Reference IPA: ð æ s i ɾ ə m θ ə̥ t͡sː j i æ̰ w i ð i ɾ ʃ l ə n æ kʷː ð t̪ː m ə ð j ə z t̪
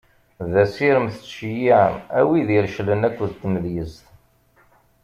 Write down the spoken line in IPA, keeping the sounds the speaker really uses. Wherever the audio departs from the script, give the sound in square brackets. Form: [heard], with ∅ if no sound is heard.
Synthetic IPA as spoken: ð æ s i ɾ ə m θ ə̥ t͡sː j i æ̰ w i ð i ɾ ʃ l ə n æ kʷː ð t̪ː m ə ð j ə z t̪